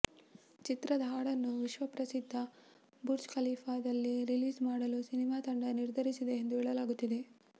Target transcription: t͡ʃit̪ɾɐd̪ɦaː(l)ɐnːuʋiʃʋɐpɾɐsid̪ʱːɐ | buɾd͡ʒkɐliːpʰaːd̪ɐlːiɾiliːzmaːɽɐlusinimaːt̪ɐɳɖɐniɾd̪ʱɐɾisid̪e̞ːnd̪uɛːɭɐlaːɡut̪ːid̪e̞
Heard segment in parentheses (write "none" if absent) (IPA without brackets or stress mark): ɽ